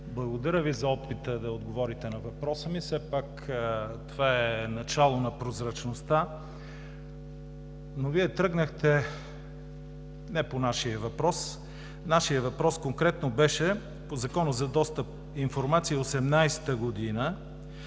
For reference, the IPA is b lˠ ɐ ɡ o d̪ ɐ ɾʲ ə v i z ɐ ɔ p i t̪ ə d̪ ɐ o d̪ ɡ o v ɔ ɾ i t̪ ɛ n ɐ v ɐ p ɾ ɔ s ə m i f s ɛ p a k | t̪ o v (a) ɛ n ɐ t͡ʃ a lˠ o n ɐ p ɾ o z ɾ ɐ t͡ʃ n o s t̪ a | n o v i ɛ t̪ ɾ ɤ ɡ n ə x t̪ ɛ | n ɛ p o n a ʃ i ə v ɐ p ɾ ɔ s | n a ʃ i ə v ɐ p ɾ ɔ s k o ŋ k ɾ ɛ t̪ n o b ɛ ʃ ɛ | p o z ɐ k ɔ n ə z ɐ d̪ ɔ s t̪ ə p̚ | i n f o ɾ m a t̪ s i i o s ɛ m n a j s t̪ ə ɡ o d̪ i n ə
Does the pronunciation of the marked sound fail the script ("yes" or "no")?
no